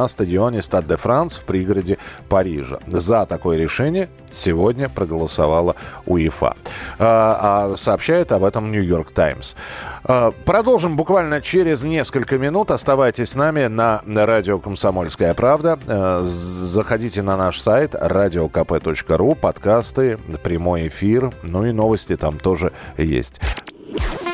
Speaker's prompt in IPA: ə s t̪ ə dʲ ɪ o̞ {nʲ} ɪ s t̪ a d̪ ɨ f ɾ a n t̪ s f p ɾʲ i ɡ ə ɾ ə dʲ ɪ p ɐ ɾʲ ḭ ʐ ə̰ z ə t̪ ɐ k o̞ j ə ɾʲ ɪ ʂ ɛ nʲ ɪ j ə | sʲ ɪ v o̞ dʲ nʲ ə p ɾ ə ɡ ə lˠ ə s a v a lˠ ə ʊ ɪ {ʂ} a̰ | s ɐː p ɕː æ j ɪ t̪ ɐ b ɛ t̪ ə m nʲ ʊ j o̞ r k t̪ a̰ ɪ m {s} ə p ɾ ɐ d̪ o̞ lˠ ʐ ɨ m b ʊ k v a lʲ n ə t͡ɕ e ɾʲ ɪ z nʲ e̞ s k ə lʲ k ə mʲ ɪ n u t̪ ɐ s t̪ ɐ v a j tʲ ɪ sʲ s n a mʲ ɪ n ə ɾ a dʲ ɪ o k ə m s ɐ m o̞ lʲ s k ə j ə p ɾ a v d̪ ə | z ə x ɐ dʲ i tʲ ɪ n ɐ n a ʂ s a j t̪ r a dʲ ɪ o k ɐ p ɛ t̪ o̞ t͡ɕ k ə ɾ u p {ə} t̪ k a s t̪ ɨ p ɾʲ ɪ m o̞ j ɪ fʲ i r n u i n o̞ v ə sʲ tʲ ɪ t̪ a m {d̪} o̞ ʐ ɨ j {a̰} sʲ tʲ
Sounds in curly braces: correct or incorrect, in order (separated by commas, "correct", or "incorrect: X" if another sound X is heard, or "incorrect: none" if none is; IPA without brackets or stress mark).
correct, incorrect: f, correct, incorrect: ɐ, incorrect: t̪, incorrect: ḛ